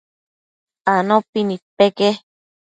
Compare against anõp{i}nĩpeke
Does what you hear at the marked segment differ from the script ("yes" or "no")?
no